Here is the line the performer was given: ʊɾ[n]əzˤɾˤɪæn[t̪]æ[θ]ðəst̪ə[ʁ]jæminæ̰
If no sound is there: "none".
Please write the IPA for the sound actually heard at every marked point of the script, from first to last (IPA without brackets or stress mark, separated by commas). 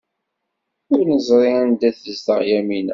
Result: n, d̪, θ, ʁ